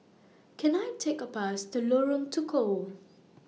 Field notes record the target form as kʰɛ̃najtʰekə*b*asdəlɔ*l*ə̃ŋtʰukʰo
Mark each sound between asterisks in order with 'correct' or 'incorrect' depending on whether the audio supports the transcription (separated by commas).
incorrect, incorrect